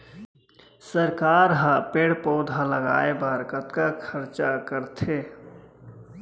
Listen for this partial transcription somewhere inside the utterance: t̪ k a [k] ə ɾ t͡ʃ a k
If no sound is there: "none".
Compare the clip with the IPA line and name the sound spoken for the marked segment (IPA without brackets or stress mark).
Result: kʰ